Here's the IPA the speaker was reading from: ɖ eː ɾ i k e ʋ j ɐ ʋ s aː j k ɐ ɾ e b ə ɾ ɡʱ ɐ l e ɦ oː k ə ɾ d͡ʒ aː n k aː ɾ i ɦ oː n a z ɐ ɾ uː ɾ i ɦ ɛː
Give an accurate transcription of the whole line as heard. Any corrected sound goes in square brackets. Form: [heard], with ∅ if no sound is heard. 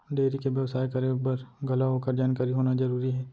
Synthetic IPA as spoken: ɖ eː ɾ i k e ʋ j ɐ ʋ s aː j k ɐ ɾ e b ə ɾ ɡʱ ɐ l [a] ɦ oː k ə ɾ d͡ʒ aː n k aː ɾ i ɦ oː n a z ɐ ɾ uː ɾ i ɦ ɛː